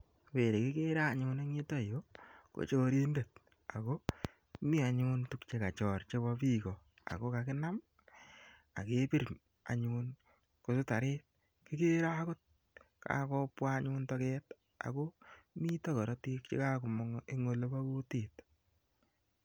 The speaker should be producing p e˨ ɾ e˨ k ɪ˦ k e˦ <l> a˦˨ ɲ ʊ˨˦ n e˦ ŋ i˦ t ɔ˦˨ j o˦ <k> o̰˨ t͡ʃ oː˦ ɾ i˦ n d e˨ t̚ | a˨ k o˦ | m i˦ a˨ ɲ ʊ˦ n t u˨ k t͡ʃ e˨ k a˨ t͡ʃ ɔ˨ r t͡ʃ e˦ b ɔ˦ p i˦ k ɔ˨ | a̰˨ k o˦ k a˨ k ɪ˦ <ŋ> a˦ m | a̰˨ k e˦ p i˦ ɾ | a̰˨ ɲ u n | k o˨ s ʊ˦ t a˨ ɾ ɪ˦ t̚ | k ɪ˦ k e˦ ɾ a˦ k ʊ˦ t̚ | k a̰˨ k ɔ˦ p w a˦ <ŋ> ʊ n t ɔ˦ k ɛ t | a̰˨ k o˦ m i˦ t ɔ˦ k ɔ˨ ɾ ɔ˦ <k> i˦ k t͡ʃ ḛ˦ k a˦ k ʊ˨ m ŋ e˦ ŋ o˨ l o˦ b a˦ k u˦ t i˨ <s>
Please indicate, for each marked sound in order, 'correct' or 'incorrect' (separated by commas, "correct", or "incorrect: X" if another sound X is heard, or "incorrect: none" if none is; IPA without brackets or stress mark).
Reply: incorrect: ɾ, correct, incorrect: n, incorrect: ɲ, incorrect: t, incorrect: t